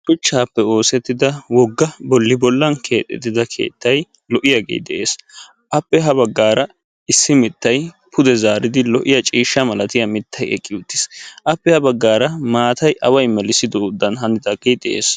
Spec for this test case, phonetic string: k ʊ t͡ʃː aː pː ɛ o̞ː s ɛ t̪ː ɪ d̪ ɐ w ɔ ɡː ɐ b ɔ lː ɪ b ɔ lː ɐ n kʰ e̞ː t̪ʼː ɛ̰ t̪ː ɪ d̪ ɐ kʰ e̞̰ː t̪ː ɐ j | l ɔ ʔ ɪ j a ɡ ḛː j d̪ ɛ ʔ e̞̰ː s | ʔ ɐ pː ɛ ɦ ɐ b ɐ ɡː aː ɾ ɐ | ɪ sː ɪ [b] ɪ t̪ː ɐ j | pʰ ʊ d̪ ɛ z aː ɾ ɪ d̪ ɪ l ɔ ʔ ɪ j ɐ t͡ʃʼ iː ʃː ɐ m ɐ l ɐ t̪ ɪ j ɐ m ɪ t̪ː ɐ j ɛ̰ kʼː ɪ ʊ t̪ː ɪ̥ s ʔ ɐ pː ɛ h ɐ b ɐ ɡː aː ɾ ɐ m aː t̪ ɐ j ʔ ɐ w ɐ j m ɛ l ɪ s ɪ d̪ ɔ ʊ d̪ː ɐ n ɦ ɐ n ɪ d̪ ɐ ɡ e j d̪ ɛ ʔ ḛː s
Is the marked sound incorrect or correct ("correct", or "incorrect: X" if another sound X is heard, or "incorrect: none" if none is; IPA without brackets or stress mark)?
incorrect: m